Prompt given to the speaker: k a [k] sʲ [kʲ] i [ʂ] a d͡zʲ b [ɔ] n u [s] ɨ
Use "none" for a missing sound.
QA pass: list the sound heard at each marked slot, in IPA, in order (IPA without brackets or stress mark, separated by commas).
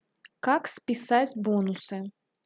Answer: k, pʲ, s, ɔ, s